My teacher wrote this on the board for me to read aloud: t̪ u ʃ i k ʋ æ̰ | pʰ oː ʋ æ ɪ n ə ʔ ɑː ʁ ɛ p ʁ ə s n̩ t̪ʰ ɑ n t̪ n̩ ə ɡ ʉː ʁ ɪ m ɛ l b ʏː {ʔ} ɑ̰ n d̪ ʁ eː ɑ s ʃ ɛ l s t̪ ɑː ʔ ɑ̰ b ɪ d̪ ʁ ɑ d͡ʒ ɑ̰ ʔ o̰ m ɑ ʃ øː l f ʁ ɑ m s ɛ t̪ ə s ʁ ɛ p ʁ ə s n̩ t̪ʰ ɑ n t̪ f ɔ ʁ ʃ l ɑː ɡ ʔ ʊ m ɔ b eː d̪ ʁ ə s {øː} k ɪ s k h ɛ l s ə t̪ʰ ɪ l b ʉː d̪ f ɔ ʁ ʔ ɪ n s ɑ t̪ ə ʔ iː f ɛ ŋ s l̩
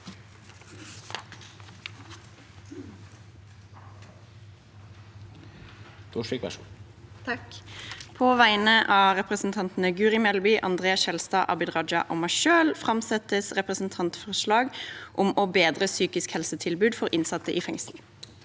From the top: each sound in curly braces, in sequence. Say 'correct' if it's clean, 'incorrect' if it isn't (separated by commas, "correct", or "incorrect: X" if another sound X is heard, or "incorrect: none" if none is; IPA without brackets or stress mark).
correct, incorrect: yː